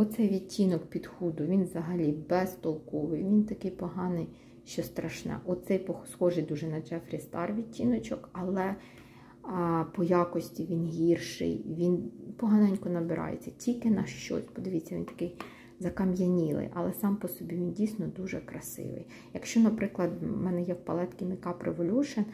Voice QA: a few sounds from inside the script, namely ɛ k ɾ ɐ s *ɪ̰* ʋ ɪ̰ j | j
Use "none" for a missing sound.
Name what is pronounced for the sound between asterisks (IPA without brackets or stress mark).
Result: ɪ̰